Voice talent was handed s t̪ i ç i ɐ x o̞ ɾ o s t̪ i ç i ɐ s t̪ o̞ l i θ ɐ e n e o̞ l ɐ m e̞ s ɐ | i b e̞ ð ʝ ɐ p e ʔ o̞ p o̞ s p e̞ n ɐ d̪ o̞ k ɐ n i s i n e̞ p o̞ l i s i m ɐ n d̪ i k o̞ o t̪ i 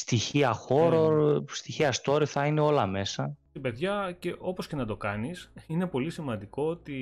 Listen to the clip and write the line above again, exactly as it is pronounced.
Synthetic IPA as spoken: s t̪ i ç i ɐ x o̞ ɾ o s t̪ i ç i ɐ s t̪ o̞ ɾ i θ ɐ i n e o̞ l ɐ m e̞ s ɐ | i b e̞ ð ʝ ɐ c e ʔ o̞ p o̞ s c e̞ n ɐ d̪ o̞ k ɐ n i s i n e̞ p o̞ l i s i m ɐ n d̪ i k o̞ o t̪ i